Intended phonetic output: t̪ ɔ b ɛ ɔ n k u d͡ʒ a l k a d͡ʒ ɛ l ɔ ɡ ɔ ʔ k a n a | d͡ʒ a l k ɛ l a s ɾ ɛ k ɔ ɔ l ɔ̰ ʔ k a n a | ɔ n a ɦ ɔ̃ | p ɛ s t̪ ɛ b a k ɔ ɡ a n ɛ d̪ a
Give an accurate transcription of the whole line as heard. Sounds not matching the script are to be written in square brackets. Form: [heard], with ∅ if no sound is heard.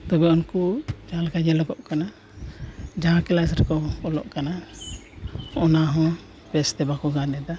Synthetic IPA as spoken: t̪ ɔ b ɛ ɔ n k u d͡ʒ a l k a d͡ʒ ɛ l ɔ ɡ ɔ ʔ k a n a | d͡ʒ a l k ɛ l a s ɾ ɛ k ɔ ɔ l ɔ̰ ʔ k a n a | ɔ n a ɦ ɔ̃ | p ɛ s t̪ ɛ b a k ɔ ɡ a n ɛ d̪ a